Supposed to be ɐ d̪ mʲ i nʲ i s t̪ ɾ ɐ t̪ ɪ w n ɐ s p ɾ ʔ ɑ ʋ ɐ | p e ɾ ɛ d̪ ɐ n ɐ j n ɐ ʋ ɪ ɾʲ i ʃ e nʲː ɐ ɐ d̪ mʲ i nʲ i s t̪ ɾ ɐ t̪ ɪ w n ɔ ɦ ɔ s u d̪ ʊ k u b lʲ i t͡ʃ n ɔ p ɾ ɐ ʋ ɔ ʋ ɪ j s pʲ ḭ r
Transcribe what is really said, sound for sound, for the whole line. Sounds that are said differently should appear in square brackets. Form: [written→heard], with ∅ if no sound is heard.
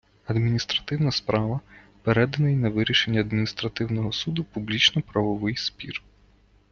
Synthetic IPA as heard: ɐ d̪ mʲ i nʲ i s t̪ ɾ ɐ t̪ ɪ w n ɐ s p ɾ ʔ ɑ ʋ ɐ | p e ɾ ɛ d̪ ɐ n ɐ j n ɐ ʋ ɪ ɾʲ i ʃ e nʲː ɐ ɐ d̪ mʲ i nʲ i s t̪ ɾ ɐ t̪ ɪ w n ɔ ɦ ɔ s u d̪ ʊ [k→p] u b lʲ i t͡ʃ n ɔ p ɾ ɐ ʋ ɔ ʋ ɪ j s pʲ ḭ r